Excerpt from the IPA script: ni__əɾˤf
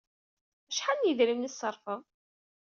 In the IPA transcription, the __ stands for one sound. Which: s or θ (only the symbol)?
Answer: s